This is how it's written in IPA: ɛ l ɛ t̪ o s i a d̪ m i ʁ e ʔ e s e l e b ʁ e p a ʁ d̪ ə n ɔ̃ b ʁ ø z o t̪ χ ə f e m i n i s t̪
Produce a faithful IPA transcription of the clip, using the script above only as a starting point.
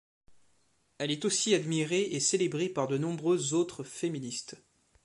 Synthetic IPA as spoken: ɛ l ɛ t̪ o s i a d̪ m i ʁ e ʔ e s e l e b ʁ e p a ʁ d̪ ə n ɔ̃ b ʁ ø z o t̪ χ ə f e m i n i s t̪